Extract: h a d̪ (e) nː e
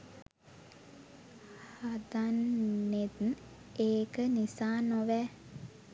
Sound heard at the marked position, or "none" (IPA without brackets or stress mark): a